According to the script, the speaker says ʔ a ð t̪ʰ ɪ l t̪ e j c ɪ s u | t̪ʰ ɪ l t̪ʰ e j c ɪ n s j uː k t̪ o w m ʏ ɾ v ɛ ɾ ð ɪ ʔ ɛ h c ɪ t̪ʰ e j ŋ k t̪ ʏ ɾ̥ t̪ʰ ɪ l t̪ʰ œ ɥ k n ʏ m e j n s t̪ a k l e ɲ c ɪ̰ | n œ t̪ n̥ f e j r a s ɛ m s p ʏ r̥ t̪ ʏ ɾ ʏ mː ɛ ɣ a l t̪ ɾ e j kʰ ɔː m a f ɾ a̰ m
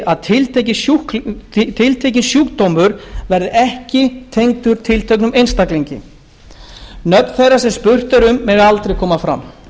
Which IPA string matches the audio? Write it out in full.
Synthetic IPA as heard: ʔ a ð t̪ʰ ɪ l t̪ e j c ɪ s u | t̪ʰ ɪ l t̪ʰ e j c ɪ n s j uː k t̪ o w m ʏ ɾ v ɛ ɾ ð ɪ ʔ ɛ h c ɪ t̪ʰ e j ŋ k t̪ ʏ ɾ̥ t̪ʰ ɪ l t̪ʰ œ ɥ k n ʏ m e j n s t̪ a k l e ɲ c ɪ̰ | n œ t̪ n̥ θ e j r a s ɛ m s p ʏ r̥ t̪ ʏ ɾ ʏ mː ɛ ɣ a l t̪ ɾ e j kʰ ɔː m a f ɾ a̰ m